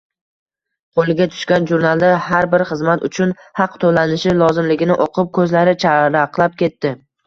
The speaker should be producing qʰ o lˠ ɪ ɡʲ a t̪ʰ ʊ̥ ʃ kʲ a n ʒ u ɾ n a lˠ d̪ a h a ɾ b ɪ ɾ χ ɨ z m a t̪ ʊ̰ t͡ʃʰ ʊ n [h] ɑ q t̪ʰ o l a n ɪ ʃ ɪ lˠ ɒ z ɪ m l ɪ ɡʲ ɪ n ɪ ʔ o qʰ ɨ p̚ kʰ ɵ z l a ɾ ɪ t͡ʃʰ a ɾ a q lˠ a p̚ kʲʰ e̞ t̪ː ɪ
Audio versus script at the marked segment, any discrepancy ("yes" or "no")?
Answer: no